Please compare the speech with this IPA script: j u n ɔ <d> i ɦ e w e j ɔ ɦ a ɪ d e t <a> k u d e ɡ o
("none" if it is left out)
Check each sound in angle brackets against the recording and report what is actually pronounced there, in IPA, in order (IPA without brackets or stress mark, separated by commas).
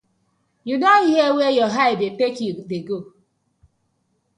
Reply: none, e